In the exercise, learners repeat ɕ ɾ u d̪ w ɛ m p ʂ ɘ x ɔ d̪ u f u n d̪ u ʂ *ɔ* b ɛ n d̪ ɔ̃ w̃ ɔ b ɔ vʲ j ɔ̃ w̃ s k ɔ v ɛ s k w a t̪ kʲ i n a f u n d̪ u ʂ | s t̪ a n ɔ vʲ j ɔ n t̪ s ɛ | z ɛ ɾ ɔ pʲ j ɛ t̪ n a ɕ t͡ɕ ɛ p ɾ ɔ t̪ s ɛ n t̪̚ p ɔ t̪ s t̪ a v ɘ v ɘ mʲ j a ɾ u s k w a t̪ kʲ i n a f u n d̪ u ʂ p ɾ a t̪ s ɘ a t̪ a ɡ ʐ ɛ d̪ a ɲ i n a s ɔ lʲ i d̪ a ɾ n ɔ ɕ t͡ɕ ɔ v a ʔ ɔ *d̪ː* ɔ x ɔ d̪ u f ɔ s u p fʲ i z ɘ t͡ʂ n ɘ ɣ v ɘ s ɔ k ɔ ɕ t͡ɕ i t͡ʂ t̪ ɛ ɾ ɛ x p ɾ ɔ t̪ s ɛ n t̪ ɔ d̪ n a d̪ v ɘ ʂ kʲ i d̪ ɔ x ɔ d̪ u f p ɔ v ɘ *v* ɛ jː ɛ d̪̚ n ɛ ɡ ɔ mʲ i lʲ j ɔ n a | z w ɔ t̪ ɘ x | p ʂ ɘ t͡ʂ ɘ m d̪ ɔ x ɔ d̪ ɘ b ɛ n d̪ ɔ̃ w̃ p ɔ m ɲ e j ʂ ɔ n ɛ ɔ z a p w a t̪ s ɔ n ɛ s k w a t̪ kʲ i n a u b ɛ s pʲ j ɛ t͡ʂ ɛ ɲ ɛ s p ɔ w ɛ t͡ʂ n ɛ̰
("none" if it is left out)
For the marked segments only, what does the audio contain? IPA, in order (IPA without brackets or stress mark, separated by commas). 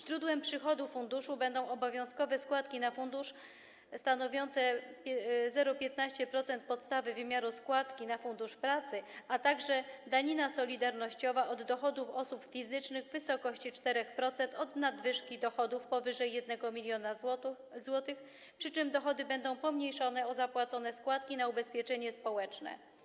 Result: u, d̪ː, ʐ